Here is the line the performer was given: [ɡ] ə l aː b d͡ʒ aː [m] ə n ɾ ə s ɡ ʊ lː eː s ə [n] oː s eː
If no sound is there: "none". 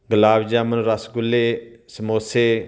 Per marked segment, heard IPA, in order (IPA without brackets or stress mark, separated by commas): ɡ, m, m